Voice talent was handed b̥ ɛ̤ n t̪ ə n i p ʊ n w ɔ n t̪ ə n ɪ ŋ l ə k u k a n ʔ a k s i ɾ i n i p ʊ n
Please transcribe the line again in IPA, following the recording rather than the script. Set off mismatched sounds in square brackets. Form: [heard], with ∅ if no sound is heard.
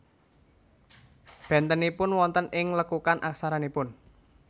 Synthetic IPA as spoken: b̥ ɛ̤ n t̪ ə n i p ʊ n w ɔ n t̪ ə n ɪ ŋ l ə k u k a n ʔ a k s [a] ɾ [a] n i p ʊ n